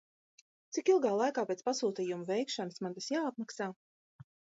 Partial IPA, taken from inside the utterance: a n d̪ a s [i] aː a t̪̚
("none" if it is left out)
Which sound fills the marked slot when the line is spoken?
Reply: j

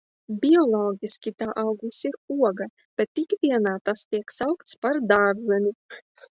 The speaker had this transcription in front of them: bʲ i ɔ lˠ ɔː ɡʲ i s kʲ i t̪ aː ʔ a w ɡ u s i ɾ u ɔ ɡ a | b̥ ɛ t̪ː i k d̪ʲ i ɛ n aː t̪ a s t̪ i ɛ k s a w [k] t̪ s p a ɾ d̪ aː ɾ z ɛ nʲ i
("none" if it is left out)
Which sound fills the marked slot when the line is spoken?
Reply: k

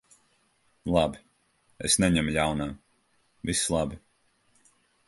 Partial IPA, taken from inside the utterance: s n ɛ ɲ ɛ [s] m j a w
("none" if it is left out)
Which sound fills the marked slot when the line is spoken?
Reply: none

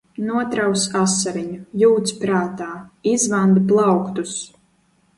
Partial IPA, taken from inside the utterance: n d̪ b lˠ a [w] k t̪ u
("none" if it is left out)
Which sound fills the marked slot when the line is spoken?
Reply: w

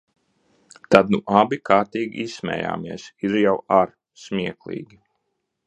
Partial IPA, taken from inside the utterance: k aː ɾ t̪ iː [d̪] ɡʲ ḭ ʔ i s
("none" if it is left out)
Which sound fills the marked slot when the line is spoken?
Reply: none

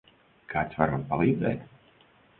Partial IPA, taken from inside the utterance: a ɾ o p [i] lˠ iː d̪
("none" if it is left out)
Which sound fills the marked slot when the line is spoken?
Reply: a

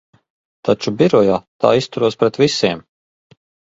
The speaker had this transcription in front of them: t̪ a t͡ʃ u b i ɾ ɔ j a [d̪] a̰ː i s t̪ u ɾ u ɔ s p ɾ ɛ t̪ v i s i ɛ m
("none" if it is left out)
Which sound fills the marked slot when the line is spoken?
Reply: t̪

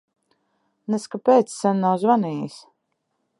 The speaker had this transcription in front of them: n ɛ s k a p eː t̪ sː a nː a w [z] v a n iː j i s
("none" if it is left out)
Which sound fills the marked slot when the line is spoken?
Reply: z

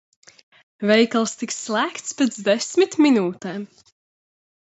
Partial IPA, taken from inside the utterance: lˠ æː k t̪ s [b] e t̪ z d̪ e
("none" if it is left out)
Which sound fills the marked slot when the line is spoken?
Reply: p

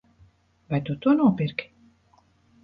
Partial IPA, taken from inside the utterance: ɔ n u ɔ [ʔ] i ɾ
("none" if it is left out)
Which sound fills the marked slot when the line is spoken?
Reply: p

